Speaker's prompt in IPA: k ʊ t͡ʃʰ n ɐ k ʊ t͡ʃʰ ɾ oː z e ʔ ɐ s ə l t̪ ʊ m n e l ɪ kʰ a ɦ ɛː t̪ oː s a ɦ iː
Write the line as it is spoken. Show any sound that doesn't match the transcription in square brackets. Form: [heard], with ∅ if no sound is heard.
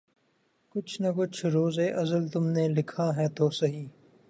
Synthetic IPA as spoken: k ʊ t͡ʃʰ n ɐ k ʊ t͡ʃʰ ɾ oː z e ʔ ɐ [z] ə l t̪ ʊ m n e l ɪ kʰ a ɦ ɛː t̪ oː s [ɐ] ɦ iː